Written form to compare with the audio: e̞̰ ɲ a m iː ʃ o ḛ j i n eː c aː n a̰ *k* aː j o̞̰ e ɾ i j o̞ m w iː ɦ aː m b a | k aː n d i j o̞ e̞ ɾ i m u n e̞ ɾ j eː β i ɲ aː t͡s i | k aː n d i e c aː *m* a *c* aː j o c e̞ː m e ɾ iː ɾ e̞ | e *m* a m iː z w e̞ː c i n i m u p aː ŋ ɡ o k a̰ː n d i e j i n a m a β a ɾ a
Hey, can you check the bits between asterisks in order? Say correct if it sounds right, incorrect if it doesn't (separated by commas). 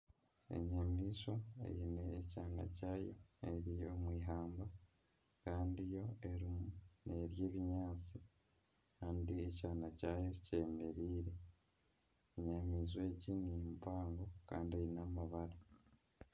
incorrect, incorrect, correct, incorrect